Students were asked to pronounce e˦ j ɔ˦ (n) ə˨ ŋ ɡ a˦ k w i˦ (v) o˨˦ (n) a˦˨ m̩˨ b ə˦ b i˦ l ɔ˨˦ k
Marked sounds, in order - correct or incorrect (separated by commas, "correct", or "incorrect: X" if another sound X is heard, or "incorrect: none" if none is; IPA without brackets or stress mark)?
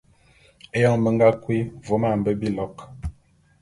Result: incorrect: m, correct, incorrect: m